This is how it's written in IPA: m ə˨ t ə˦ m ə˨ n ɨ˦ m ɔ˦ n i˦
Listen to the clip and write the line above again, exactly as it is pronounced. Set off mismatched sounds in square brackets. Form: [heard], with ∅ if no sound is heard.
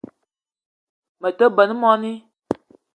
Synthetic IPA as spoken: m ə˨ t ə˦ [b] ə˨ n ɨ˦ m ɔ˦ n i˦